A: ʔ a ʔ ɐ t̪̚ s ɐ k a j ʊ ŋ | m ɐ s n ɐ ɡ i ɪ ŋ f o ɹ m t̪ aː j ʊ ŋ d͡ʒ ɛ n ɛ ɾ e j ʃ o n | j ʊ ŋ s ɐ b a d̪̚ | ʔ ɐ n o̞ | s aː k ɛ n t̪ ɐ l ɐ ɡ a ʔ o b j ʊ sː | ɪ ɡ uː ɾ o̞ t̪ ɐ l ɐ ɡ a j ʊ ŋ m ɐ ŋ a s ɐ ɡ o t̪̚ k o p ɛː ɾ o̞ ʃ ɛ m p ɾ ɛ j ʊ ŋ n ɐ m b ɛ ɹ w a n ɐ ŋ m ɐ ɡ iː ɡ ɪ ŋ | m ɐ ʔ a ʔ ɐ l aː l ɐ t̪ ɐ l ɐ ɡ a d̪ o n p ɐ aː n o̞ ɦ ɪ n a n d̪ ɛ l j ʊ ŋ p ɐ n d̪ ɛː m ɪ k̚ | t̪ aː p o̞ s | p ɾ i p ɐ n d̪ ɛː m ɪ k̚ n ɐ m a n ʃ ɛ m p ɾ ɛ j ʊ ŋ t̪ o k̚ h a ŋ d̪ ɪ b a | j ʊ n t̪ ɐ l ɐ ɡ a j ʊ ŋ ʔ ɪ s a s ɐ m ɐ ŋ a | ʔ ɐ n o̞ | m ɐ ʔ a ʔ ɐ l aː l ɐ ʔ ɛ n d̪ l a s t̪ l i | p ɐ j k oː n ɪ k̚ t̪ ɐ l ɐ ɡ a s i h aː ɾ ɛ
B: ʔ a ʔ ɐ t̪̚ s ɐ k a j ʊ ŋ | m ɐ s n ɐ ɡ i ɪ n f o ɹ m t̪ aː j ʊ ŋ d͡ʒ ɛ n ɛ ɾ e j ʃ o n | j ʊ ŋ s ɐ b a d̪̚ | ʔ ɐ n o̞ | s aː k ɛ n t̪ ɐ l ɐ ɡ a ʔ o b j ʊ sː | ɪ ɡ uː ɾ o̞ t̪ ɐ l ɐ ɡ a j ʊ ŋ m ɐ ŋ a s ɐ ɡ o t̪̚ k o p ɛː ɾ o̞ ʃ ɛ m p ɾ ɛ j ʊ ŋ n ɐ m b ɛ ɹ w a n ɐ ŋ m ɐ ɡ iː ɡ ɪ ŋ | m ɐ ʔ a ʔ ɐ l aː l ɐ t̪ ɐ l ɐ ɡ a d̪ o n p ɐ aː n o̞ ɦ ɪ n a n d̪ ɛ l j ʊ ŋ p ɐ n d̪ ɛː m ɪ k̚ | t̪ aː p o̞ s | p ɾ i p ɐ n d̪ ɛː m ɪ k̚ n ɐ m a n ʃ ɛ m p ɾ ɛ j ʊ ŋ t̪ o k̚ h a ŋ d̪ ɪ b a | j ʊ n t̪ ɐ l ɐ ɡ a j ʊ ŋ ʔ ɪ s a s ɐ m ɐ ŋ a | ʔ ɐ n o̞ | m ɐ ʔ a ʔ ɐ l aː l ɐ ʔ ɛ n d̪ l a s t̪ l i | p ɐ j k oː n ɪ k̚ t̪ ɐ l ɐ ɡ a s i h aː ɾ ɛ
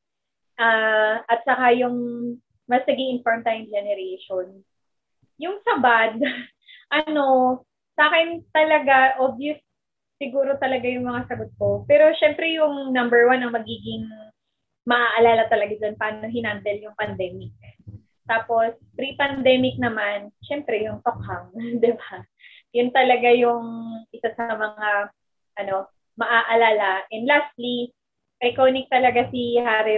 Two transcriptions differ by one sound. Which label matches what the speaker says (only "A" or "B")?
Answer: B